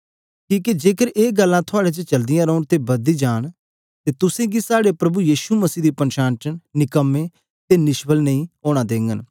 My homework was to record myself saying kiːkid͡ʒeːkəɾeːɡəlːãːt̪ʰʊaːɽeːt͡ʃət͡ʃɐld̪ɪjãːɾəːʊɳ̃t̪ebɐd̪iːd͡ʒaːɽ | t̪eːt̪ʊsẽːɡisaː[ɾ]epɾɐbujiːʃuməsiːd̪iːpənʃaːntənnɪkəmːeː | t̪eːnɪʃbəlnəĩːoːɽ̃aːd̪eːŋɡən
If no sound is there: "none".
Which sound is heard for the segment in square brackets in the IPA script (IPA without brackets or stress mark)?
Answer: ɽ